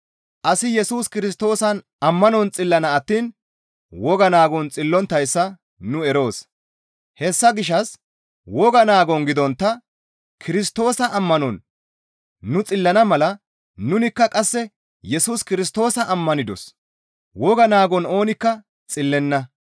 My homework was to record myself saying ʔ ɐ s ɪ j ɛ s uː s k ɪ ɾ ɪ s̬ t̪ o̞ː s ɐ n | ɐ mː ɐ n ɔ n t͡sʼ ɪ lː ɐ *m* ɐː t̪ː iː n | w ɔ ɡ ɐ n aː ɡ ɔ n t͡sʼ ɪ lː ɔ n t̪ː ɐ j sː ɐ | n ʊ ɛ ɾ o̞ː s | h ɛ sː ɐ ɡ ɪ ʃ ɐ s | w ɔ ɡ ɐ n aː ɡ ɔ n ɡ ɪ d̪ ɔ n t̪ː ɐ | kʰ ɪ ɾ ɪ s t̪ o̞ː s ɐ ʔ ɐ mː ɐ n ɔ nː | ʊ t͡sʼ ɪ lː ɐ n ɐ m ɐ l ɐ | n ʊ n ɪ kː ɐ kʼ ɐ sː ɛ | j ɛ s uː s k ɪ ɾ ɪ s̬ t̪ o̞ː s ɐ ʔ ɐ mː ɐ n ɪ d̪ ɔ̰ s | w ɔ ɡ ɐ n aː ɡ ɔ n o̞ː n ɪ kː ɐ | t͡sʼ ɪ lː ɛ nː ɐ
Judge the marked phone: incorrect: n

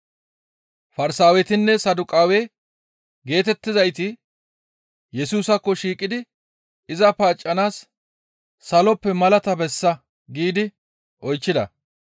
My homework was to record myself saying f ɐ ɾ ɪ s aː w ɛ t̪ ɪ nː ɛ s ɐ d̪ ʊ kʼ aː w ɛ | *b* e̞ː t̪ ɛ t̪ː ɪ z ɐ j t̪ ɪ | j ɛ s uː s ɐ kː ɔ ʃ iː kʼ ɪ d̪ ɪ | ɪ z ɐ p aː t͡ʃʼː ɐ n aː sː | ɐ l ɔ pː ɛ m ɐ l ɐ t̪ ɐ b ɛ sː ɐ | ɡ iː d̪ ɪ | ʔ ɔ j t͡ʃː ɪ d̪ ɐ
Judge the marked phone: incorrect: ɡ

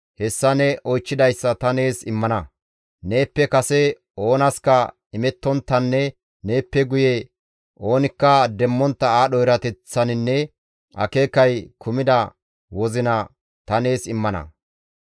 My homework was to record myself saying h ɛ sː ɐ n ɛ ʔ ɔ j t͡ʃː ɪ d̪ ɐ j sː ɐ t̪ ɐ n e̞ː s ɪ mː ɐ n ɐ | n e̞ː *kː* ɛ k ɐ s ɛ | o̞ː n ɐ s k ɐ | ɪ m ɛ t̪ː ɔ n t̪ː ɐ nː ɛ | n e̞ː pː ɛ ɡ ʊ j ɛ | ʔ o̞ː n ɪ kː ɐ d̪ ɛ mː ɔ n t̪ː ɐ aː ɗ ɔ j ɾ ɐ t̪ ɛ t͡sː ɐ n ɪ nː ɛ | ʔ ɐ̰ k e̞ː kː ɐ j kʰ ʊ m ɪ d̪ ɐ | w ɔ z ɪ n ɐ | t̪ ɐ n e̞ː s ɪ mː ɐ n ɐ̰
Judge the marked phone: incorrect: pː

